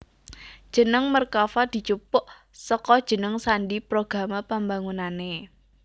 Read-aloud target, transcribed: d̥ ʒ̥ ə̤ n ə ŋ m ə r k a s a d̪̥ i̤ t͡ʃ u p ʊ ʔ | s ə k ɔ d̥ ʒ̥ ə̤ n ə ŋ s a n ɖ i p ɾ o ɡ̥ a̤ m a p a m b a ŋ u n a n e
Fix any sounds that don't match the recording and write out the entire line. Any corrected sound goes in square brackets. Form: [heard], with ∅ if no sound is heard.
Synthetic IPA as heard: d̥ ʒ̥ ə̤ n ə ŋ m ə r k a [f] a d̪̥ i̤ t͡ʃ u p ʊ ʔ | s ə k ɔ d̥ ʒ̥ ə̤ n ə ŋ s a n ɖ i p ɾ o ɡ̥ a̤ m a p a m b a ŋ u n a n e